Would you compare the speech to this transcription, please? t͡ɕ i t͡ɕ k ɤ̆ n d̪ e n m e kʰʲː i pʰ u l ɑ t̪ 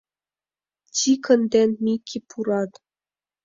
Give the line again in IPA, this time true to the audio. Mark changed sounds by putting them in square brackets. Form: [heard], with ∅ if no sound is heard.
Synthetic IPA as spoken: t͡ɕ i [∅] k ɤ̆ n d̪ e n m [i] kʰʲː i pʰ u [ɾ] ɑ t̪